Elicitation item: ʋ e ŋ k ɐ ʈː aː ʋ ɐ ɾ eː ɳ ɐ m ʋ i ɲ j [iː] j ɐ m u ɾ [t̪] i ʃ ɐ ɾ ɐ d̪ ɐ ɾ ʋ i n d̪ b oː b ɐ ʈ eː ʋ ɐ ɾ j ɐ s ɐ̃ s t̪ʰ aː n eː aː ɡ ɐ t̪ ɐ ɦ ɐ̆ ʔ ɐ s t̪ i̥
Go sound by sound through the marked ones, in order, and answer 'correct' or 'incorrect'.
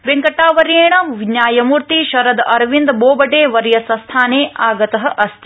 incorrect, correct

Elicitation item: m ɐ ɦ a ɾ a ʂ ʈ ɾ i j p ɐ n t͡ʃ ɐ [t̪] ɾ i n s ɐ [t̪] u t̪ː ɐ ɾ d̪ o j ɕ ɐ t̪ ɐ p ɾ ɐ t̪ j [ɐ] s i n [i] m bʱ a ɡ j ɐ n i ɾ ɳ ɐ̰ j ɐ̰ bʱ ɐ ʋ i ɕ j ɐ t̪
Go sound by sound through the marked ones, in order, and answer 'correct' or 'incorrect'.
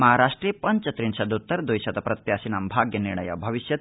correct, incorrect, incorrect, incorrect

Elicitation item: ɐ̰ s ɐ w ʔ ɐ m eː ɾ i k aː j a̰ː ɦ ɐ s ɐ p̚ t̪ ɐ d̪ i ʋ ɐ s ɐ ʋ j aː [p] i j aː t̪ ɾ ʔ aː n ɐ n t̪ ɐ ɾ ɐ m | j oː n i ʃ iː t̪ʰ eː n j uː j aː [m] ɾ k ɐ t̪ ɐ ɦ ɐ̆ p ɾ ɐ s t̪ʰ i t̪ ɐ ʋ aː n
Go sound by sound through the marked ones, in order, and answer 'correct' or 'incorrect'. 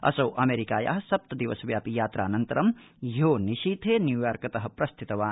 correct, incorrect

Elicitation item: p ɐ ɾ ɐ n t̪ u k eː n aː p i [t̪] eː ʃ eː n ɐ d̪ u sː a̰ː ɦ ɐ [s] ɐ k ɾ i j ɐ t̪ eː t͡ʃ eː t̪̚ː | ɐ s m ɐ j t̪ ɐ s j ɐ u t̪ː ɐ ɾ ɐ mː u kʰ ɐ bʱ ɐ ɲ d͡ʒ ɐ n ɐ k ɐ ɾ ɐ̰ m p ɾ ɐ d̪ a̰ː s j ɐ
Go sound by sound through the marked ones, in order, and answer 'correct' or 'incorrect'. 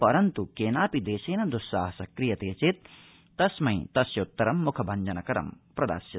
incorrect, correct

